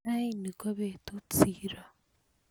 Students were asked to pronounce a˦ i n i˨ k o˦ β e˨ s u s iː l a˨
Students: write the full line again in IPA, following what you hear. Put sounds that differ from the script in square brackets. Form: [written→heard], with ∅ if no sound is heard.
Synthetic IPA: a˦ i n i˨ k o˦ β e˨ [s→t] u [s→t͡s] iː [l→ɾ] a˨